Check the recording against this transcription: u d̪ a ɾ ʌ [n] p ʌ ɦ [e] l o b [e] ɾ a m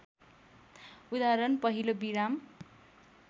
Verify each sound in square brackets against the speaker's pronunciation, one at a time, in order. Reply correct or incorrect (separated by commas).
correct, incorrect, incorrect